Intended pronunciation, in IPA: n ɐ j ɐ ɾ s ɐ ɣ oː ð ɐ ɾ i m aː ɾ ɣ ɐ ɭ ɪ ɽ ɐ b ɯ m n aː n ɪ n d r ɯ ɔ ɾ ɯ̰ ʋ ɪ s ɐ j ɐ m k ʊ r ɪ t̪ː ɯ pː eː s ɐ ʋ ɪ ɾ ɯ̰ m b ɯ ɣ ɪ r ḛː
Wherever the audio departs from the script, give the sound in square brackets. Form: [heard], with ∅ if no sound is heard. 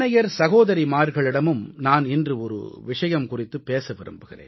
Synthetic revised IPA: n ɐ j ɐ ɾ s ɐ ɣ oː ð ɐ ɾ i m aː ɾ ɣ ɐ ɭ ɪ ɽ ɐ [m] ɯ m n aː n ɪ n d r ɯ ɔ ɾ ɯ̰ ʋ ɪ [ʂ] ɐ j ɐ m k ʊ r ɪ t̪ː ɯ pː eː s ɐ ʋ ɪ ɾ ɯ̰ m b ɯ ɣ ɪ r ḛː